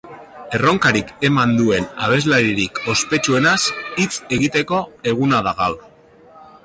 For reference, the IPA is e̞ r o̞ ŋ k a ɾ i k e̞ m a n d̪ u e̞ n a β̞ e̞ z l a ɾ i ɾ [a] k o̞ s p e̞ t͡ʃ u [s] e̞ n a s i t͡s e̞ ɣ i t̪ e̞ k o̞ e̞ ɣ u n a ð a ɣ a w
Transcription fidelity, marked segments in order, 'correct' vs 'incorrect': incorrect, incorrect

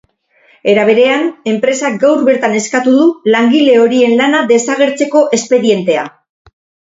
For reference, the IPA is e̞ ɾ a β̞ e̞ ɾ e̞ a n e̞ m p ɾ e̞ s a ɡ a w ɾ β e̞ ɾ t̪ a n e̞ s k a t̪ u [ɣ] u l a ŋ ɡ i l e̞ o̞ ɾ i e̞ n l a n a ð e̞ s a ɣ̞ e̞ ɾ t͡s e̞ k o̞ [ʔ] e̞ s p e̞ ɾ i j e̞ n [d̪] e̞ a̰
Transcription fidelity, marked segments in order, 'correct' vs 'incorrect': incorrect, correct, incorrect

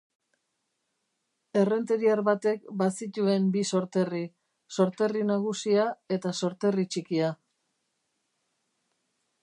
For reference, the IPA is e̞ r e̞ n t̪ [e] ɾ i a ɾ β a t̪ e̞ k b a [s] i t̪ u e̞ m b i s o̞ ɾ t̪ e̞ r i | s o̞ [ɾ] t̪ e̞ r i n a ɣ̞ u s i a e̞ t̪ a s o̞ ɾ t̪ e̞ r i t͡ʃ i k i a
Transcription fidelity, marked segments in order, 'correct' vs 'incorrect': correct, correct, correct

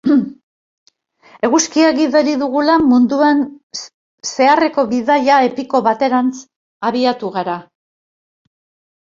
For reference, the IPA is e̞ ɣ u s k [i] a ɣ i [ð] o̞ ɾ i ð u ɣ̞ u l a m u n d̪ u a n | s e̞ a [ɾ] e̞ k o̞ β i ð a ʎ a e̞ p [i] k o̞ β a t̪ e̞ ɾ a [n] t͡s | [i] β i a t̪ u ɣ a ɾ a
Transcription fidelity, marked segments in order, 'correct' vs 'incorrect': correct, correct, incorrect, correct, correct, incorrect

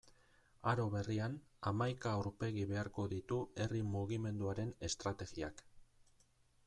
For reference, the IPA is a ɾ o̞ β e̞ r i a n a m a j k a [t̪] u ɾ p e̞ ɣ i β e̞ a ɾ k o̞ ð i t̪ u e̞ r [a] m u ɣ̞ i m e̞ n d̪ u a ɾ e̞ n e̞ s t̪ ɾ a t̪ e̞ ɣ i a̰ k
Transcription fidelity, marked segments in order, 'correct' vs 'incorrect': incorrect, incorrect

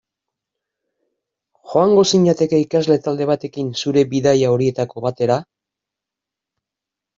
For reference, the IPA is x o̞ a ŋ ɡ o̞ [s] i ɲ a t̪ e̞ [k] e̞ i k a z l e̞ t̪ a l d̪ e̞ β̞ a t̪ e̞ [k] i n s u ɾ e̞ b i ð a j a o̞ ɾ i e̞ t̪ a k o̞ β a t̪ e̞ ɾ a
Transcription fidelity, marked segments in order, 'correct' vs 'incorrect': correct, correct, correct

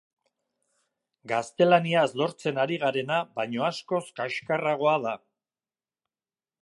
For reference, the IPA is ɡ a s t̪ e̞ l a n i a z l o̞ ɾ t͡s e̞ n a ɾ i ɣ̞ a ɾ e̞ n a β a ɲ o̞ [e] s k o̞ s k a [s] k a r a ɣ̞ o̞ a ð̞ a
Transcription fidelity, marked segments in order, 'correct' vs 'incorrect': incorrect, incorrect

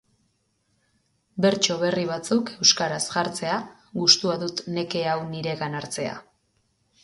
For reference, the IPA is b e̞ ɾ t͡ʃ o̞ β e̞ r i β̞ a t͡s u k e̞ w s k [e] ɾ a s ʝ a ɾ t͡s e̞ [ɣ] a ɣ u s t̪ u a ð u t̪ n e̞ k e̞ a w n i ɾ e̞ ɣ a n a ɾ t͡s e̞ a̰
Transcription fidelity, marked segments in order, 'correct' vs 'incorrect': incorrect, incorrect

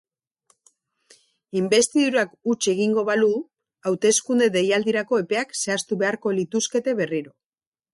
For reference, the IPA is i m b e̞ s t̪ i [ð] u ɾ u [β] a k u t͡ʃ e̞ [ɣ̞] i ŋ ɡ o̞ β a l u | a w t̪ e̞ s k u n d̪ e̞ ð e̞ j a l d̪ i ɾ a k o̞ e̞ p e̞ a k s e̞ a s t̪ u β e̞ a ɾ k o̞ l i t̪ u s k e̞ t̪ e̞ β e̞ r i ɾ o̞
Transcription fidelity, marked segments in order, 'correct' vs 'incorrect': correct, incorrect, correct

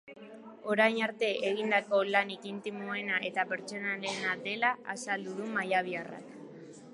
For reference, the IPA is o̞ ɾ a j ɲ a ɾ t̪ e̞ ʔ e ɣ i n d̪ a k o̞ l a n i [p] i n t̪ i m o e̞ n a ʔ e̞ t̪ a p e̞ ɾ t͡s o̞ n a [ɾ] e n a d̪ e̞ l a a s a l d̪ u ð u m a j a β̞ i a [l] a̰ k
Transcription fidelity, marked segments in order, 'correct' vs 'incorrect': incorrect, incorrect, incorrect

